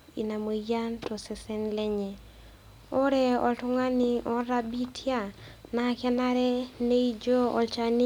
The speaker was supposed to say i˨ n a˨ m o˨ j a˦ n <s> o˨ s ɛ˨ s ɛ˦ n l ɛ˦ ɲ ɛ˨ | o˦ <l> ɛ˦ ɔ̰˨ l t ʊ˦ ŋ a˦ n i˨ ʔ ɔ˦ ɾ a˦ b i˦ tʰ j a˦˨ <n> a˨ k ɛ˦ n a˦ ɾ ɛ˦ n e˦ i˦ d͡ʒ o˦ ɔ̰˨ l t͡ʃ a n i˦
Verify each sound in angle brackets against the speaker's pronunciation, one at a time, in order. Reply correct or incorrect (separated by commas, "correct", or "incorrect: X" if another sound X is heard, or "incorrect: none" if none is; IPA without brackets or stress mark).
incorrect: t, incorrect: ɾ, correct